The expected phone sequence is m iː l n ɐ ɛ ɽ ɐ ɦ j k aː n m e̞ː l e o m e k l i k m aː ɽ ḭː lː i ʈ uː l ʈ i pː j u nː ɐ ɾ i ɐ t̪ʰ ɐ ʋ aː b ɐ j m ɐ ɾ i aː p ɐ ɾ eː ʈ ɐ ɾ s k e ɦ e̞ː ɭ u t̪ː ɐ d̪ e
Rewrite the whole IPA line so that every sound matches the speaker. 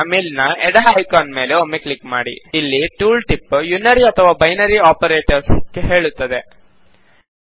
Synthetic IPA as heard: m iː l n ɐ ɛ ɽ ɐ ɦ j k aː n m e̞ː l e o m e k l i k m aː ɽ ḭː lː i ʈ uː l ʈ i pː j u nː ɐ ɾ i ɐ t̪ʰ ɐ ʋ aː b ɐ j n ɐ ɾ i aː p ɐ ɾ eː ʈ ɐ ɾ s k e ɦ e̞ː ɭ u t̪ː ɐ d̪ e